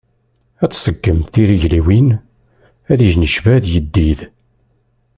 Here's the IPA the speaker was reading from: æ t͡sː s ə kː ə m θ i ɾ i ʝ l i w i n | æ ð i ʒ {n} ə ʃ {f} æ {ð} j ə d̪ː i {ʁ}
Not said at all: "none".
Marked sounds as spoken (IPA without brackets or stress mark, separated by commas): n, v, ð, ð